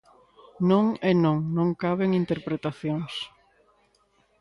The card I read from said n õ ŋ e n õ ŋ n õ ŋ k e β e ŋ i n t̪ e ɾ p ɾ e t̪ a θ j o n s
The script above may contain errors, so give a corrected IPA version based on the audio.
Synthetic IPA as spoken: n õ ŋ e n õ ŋ n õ ŋ k a β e ŋ i n t̪ e ɾ p ɾ e t̪ a θ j o ŋ s

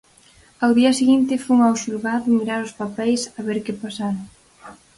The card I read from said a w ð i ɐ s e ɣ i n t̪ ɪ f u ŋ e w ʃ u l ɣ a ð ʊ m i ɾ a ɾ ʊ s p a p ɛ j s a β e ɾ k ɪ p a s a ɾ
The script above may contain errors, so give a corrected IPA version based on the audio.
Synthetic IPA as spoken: a w ð i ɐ s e ɣ i n t̪ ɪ f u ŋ a w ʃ u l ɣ a ð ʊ m i ɾ a ɾ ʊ s p a p ɛ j s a β e ɾ k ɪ p a s a ɾ

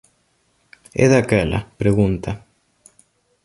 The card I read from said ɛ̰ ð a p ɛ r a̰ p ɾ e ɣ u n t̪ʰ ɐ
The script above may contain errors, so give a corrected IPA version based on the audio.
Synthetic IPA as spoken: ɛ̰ ð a k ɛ l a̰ p ɾ e ɣ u n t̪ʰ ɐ

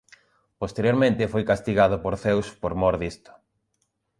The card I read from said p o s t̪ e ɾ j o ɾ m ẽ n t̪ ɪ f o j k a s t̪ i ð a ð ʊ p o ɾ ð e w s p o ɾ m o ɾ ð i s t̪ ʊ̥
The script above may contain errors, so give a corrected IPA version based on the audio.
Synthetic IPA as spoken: p o s t̪ e ɾ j o ɾ m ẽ n t̪ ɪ f o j k a s t̪ i ɣ a ð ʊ p o ɾ θ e w s p o ɾ m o ɾ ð i s t̪ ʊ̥

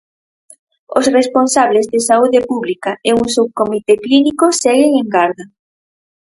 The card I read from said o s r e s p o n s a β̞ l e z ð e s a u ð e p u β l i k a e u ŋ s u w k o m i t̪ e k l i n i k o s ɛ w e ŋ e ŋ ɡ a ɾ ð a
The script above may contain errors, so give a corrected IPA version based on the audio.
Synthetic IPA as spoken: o s r e s p o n s a β̞ l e z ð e s a u ð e p u β l i k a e u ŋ s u w k o m i t̪ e k l i n i k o s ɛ ɣ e ŋ e ŋ ɡ a ɾ ð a

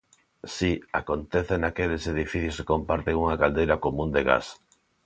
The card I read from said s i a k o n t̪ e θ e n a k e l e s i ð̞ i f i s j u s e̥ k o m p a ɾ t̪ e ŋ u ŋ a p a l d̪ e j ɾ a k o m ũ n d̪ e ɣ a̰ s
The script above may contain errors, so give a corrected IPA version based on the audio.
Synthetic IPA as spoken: s i a k o n t̪ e θ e n a k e l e s e ð̞ i f i θ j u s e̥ k o m p a ɾ t̪ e ŋ u ŋ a k a l d̪ e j ɾ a k o m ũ n d̪ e ɣ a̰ s

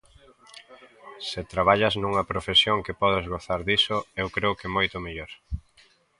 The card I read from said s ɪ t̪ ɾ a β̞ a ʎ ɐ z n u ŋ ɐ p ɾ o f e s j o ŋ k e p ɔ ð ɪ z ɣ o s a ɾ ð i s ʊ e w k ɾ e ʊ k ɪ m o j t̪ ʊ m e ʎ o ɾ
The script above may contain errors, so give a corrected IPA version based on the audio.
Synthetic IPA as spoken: s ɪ t̪ ɾ a β̞ a ʎ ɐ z n u ŋ ɐ p ɾ o f e s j o ŋ k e p ɔ ð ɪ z ɣ o θ a ɾ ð i s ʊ e w k ɾ e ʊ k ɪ m o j t̪ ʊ m e ʎ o ɾ

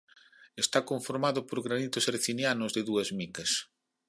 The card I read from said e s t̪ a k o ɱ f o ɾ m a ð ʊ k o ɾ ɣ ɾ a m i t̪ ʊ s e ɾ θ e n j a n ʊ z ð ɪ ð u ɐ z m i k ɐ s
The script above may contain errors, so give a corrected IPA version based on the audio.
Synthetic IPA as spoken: e s t̪ a k o ɱ f o ɾ m a ð ʊ p o ɾ ɣ ɾ a n i t̪ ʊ s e ɾ θ i n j a n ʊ z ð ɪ ð u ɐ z m i k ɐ s

